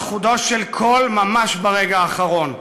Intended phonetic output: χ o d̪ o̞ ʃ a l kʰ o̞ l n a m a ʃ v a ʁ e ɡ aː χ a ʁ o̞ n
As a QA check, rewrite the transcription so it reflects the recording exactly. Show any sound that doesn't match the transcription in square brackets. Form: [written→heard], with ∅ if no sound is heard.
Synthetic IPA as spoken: χ [o→u] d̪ o̞ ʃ [a→e] l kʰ o̞ l [n→m] a m a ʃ [v→b] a ʁ e ɡ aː χ a ʁ o̞ n